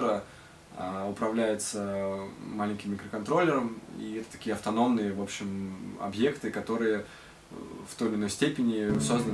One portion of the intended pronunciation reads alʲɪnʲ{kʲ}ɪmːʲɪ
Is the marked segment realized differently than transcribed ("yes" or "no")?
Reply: no